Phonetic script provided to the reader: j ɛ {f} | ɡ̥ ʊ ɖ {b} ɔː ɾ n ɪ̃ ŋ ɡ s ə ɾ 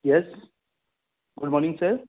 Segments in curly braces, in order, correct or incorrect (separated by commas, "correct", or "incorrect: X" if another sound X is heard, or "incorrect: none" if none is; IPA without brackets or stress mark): incorrect: s, incorrect: m